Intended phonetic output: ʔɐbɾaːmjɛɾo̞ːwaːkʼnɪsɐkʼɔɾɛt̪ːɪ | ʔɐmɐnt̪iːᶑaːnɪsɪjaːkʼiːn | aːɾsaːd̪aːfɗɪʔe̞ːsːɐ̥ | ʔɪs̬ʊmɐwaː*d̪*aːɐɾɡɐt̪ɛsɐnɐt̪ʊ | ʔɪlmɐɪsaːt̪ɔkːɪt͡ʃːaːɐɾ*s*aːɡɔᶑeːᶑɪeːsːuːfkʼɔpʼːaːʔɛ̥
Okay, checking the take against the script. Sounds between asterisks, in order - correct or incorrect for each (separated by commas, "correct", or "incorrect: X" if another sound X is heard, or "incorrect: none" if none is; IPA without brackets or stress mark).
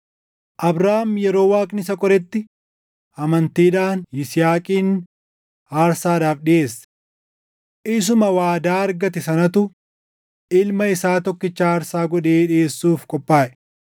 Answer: correct, correct